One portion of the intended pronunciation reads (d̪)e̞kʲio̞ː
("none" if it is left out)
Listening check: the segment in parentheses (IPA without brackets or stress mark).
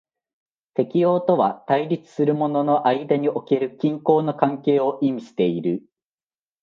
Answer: t̪